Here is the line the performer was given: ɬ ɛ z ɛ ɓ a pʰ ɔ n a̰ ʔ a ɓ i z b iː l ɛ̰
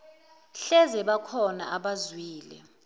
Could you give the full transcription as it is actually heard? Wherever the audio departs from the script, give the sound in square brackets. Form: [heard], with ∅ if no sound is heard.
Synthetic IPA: ɬ ɛ z ɛ ɓ a [kʰ] ɔ n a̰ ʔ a ɓ [a] z [w] iː l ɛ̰